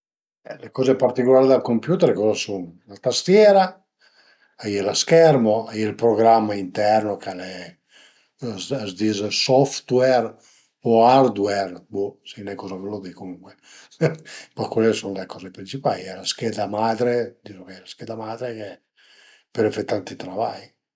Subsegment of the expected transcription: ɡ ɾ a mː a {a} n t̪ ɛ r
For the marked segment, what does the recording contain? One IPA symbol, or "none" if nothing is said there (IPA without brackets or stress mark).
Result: i